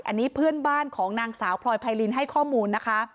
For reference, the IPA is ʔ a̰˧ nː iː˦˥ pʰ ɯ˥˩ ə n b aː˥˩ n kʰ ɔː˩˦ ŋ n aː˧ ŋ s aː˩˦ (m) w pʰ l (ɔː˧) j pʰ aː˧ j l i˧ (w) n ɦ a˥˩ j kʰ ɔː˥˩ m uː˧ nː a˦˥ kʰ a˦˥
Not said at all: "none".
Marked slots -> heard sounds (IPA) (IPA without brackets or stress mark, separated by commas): none, ɔː˧, none